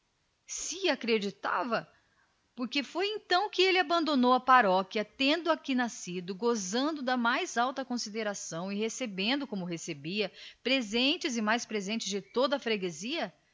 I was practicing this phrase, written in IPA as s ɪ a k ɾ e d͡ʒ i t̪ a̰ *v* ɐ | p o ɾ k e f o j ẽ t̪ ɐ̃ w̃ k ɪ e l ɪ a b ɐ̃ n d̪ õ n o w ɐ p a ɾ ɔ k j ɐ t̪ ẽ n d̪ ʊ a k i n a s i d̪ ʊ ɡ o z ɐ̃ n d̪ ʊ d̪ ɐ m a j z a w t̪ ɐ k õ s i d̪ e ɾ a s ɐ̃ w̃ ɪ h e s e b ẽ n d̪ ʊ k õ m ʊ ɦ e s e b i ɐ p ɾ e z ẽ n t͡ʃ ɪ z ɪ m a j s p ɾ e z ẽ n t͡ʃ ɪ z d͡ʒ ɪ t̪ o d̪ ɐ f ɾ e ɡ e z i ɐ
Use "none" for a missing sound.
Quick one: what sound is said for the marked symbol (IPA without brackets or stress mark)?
v